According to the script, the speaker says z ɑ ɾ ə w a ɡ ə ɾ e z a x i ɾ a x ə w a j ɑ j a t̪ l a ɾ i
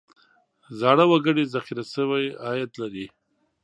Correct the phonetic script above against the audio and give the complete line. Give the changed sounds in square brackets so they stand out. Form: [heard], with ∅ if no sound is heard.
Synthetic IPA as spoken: z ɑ [ɽ] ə w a ɡ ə [ɽ] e z a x i ɾ a [s] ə w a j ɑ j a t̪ l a ɾ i